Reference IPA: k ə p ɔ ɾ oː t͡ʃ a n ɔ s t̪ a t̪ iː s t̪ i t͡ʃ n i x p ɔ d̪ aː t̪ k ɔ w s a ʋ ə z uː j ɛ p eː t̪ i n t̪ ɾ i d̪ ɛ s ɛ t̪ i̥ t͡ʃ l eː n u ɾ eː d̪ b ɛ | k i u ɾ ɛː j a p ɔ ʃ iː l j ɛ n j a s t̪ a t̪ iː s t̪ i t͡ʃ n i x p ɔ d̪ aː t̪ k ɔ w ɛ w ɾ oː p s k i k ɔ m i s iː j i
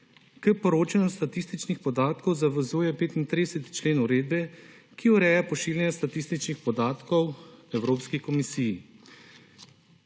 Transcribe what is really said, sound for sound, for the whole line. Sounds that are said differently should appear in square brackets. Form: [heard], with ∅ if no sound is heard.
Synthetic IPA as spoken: k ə p ɔ ɾ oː t͡ʃ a n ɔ s t̪ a t̪ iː s t̪ i t͡ʃ n i x p ɔ d̪ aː t̪ k ɔ w [z] a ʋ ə z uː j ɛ p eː t̪ i n t̪ ɾ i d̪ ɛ s ɛ t̪ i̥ t͡ʃ l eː n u ɾ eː d̪ b ɛ | k i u ɾ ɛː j a p ɔ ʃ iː l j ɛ n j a s t̪ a t̪ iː s t̪ i t͡ʃ n i x p ɔ d̪ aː t̪ k ɔ w ɛ w ɾ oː p s k i k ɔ m i s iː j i